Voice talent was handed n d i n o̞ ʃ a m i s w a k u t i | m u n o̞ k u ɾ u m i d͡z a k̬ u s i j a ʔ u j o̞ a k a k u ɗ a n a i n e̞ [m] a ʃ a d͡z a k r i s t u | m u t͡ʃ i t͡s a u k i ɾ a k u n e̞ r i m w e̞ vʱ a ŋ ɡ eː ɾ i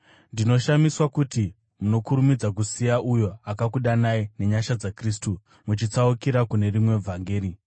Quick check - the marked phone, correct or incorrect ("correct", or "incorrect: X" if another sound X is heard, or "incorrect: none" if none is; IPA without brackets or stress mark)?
incorrect: ɲ